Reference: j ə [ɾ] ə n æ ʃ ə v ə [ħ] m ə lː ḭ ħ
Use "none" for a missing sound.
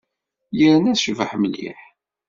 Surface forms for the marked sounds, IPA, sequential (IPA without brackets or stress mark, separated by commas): ɾ, ħ